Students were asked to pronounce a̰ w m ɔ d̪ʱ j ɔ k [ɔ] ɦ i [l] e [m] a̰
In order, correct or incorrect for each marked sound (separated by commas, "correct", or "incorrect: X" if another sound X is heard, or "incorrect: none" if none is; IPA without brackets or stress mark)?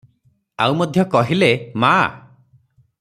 correct, correct, correct